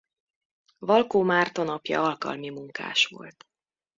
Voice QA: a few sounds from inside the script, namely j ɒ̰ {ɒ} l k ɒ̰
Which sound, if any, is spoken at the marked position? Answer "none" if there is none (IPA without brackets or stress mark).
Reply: ɒ